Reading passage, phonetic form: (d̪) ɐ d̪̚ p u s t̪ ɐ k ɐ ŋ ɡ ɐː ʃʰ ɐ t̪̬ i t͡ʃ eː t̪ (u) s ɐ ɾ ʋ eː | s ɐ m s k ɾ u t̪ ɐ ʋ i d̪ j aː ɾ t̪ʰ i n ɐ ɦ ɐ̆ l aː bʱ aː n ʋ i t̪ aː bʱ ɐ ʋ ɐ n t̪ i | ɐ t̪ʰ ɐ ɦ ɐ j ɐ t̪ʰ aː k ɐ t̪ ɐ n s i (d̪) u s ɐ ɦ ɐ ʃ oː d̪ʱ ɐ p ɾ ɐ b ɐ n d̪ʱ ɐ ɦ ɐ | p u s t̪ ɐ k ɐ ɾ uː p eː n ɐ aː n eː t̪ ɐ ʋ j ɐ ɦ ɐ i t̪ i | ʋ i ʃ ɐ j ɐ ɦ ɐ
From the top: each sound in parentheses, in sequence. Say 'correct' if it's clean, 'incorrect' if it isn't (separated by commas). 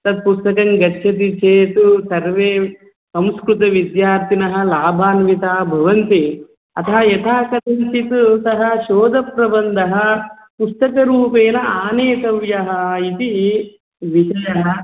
incorrect, correct, incorrect